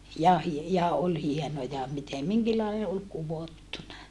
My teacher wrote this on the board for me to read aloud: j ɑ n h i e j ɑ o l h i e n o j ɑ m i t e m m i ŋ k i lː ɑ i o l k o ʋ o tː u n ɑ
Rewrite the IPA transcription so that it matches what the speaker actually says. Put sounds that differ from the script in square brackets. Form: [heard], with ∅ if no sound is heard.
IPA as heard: j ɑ [∅] h i e j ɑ o l h i e n o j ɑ m i t e m m i ŋ k i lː ɑ i o l k [u] ʋ o tː u n ɑ